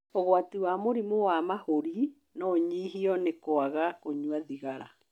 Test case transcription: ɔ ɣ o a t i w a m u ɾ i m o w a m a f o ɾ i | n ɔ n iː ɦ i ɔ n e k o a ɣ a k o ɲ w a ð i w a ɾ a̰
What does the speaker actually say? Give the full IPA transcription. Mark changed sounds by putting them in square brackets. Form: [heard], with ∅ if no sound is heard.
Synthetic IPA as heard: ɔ ɣ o a t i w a m [o] ɾ i m o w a m a [h] o ɾ i | n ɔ [ɲ] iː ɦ i ɔ n e k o a ɣ a k o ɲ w a ð i [ɣ] a ɾ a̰